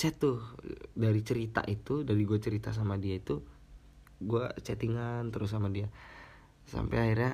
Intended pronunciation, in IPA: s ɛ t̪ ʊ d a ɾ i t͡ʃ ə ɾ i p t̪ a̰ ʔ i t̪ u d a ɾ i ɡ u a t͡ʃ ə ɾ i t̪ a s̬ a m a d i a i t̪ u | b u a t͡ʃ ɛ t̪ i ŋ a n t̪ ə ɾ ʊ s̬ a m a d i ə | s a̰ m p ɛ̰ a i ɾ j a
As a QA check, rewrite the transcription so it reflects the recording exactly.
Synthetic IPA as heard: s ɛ t̪ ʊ d a ɾ i t͡ʃ ə ɾ i t̪ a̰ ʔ i t̪ u d a ɾ i ɡ u a t͡ʃ ə ɾ i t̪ a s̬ a m a d i a i t̪ u | ɡ u a t͡ʃ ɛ t̪ i ŋ a n t̪ ə ɾ ʊ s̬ a m a d i a | s a̰ m p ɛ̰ a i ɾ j a